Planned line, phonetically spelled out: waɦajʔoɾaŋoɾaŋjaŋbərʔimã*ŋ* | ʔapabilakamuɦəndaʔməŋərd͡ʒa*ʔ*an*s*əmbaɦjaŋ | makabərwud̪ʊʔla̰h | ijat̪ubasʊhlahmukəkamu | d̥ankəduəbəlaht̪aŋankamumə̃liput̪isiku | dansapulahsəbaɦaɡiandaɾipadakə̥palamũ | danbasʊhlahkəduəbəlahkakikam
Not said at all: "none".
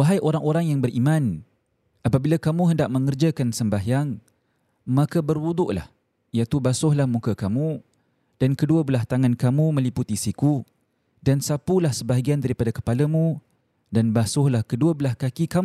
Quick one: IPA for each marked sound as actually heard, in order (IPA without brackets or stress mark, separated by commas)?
n, k, s